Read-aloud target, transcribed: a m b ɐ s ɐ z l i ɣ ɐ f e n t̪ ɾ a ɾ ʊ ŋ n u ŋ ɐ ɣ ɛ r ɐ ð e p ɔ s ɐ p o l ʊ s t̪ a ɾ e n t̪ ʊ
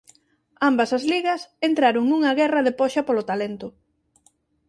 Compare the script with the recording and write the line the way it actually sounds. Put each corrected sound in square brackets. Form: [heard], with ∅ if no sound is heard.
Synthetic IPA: a m b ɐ s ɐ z l i ɣ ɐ [s] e n t̪ ɾ a ɾ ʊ ŋ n u ŋ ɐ ɣ ɛ r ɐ ð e p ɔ [ʃ] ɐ p o l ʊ [∅] t̪ a [l] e n t̪ ʊ